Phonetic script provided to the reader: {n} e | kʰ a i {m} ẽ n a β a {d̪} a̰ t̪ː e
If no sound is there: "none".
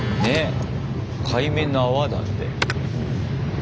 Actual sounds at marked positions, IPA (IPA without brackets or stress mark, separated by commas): n, m, d̪